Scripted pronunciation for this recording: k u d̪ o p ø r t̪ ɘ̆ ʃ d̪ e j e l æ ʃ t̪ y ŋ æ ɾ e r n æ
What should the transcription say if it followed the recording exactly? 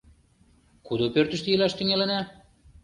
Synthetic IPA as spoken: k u d̪ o p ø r t̪ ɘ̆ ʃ t̪ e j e l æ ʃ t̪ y ŋ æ l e n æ